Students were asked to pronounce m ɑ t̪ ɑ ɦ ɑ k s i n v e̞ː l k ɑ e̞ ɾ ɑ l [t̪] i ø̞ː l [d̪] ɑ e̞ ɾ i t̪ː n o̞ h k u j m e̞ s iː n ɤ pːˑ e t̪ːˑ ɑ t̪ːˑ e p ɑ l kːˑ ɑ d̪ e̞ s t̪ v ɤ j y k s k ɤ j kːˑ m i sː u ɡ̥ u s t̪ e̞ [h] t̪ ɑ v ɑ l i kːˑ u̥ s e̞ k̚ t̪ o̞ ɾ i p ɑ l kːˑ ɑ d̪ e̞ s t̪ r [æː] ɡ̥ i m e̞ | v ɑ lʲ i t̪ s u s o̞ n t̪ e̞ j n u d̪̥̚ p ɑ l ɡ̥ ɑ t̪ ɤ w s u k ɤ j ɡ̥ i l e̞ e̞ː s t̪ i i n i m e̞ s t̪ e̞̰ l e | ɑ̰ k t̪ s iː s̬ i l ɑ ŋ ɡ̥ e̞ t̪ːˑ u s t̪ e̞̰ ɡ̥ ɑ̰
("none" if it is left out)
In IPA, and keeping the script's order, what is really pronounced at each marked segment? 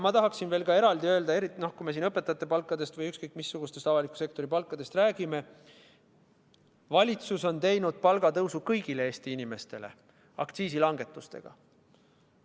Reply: d̪, d̪, s, æː

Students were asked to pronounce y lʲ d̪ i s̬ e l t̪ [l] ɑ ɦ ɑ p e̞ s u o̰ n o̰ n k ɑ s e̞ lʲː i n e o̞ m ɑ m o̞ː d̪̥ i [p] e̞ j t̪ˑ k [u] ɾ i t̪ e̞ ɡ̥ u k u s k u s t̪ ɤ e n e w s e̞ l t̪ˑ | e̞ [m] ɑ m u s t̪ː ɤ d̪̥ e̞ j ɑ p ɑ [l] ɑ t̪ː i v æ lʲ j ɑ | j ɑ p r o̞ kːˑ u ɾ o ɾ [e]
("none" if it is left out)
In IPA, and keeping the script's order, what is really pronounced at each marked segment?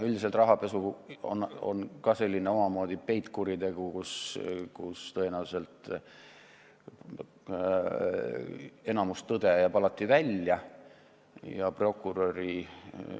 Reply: r, p, u, n, l, i

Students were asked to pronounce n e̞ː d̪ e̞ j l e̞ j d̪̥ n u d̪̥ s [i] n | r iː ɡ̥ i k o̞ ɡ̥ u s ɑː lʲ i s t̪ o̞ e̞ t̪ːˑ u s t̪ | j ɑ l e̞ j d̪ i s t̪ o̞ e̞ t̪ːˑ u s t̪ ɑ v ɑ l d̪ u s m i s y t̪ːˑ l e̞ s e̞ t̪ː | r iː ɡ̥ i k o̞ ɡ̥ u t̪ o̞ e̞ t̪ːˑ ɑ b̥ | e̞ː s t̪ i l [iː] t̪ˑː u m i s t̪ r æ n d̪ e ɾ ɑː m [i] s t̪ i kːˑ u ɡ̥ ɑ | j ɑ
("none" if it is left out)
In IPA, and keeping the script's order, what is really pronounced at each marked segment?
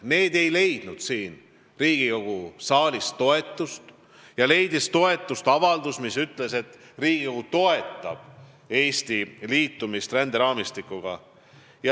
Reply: iː, iː, i

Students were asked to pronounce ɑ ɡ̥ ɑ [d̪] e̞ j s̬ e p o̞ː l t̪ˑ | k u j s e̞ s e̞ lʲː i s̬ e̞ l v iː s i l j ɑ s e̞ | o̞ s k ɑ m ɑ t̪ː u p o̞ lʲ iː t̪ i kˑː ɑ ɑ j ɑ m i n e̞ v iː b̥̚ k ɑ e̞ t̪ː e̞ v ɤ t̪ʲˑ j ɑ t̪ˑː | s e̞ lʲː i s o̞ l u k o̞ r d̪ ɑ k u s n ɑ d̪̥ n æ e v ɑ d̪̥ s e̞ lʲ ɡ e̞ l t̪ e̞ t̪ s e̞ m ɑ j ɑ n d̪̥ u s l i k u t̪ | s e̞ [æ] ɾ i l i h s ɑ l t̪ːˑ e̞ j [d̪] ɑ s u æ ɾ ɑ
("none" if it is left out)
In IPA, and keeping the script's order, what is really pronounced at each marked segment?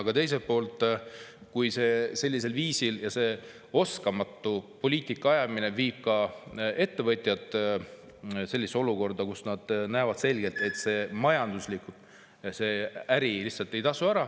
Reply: t̪, æ, t̪

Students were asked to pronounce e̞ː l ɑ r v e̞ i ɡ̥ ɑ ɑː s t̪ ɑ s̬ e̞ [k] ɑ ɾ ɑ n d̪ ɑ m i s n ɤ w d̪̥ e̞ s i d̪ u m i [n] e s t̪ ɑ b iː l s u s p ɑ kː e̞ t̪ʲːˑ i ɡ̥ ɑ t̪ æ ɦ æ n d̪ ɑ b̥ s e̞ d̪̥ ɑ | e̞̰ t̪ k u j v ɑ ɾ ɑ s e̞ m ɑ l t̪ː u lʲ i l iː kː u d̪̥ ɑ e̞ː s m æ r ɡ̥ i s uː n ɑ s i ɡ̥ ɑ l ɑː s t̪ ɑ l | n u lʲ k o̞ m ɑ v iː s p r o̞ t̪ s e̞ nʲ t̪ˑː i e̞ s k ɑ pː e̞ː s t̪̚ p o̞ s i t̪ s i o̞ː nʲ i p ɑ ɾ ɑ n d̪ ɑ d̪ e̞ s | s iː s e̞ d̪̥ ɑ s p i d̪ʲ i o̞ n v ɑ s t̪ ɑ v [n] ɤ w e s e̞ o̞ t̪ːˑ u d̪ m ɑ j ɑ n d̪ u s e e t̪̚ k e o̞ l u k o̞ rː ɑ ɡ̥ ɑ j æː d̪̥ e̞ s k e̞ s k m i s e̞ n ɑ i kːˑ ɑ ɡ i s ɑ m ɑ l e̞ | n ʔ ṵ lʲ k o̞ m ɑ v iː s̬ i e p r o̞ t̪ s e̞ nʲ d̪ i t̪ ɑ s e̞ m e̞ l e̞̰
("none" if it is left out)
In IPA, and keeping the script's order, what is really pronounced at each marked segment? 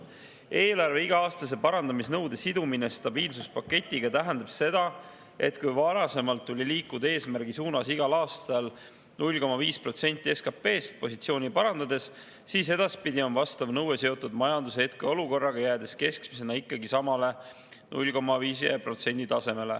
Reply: p, n, n

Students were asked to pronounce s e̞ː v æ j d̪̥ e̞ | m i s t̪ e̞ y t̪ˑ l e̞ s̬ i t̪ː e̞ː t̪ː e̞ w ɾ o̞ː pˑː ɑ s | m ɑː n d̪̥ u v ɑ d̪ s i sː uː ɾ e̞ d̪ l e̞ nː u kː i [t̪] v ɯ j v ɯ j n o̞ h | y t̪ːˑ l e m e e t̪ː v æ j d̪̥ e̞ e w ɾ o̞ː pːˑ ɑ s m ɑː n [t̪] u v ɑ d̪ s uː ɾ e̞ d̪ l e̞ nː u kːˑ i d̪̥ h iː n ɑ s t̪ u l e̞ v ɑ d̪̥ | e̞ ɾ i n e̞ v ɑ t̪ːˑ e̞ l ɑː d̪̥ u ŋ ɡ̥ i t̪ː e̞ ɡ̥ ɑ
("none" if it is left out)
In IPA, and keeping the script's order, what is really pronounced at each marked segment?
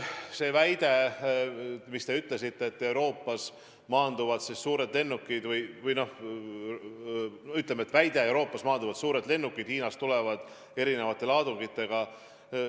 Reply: d̪, d̪

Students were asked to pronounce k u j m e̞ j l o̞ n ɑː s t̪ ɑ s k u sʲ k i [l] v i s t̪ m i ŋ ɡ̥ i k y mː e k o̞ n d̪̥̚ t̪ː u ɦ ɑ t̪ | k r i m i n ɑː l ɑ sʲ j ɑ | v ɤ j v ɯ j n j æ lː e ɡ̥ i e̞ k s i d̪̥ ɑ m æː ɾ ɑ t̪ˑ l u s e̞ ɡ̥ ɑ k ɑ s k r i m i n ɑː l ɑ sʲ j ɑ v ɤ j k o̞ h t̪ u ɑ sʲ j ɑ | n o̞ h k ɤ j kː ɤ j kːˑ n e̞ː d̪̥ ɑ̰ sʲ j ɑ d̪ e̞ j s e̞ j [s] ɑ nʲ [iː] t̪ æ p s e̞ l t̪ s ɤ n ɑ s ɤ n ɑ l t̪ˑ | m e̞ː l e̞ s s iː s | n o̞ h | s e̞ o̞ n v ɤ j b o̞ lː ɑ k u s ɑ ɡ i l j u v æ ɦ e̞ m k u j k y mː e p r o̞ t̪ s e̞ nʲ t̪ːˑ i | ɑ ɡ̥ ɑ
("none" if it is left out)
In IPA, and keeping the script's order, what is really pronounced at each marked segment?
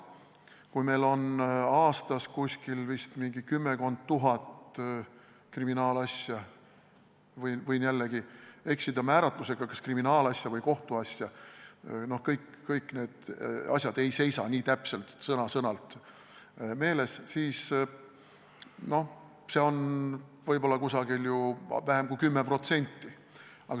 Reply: l, s, iː

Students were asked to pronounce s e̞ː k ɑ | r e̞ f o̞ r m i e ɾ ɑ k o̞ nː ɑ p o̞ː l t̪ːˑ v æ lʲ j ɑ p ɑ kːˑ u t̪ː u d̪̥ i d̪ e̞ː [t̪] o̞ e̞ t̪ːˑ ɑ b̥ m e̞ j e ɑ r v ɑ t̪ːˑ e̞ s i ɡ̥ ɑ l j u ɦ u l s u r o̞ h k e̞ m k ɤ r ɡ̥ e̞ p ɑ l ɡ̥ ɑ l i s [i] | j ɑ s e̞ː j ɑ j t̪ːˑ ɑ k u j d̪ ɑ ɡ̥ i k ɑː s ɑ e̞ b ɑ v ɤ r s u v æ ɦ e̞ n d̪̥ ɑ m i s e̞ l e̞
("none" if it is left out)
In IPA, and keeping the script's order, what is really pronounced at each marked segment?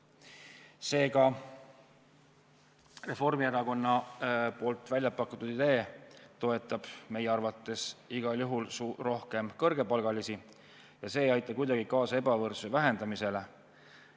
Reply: t̪, i

